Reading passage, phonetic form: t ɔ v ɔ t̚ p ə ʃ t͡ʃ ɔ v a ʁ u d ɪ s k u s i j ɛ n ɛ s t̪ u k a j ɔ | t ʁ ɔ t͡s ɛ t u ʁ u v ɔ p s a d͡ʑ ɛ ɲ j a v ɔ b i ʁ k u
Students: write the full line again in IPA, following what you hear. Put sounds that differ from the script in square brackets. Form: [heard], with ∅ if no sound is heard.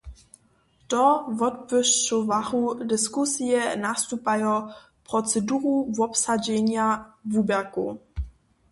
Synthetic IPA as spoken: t ɔ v ɔ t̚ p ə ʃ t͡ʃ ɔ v a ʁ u d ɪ s k u s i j ɛ n [a] s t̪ u [p] a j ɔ | [p] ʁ ɔ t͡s ɛ [d] u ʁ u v ɔ p s a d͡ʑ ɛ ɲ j a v [u] b [ɛ] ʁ k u